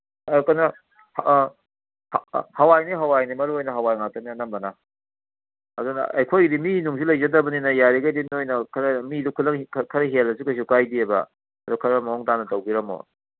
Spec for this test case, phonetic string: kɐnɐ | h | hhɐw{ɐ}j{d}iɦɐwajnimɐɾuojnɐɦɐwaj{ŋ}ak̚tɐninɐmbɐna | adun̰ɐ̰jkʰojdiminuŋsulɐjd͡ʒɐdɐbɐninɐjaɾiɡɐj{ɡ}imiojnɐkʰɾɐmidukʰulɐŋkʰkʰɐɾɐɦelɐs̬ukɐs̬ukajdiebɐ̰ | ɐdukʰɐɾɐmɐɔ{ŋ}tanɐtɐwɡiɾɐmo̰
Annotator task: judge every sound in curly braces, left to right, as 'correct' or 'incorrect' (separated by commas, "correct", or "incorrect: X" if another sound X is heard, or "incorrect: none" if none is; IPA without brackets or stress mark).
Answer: incorrect: a, incorrect: n, correct, incorrect: d, correct